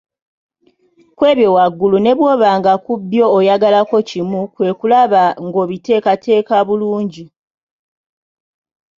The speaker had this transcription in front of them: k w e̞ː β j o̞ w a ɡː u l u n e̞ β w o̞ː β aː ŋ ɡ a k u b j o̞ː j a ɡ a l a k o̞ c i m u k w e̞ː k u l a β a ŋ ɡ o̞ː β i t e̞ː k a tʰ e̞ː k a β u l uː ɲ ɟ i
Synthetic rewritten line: k w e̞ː β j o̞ w a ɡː u l u n e̞ β w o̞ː β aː ŋ ɡ a k u b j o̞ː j a ɡ a l a k o̞ c i m u k w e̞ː k u l a β a ŋ ɡ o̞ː β i t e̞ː k a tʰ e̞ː k a β u l uː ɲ ɟ i